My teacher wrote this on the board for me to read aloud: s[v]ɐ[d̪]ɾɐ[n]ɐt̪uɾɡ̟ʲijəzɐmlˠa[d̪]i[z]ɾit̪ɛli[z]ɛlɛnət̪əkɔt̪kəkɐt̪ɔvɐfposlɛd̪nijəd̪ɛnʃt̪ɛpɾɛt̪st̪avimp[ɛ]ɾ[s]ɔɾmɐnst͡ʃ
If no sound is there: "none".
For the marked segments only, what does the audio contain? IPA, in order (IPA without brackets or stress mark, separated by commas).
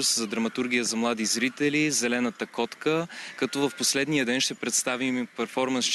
z, d̪, m, d̪, z, z, ɛ, f